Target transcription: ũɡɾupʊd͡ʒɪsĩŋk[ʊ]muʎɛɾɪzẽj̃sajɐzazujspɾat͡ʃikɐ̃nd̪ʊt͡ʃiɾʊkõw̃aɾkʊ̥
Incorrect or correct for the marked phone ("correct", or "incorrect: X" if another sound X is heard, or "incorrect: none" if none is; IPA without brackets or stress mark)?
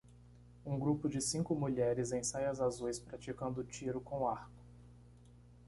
correct